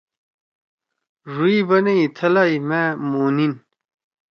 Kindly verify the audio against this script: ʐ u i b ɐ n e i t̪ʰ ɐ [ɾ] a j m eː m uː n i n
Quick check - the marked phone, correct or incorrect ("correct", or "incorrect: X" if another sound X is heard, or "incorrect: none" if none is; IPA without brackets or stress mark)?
incorrect: l